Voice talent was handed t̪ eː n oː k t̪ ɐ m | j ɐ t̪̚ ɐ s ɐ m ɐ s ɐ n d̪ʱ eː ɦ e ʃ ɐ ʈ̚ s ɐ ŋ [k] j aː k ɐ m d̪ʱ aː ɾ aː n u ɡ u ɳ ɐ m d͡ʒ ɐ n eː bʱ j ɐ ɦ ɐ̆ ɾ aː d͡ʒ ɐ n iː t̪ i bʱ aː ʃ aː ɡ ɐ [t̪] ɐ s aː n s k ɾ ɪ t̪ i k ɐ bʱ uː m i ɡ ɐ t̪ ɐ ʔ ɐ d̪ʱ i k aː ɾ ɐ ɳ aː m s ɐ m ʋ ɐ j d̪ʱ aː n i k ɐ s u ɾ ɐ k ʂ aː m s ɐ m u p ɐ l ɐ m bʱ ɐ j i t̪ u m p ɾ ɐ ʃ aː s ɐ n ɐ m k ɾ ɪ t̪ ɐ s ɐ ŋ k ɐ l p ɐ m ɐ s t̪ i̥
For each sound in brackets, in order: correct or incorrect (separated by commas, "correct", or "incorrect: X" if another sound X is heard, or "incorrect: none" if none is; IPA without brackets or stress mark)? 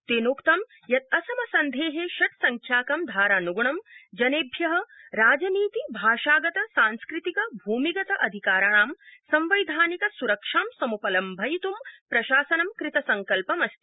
incorrect: kʰ, correct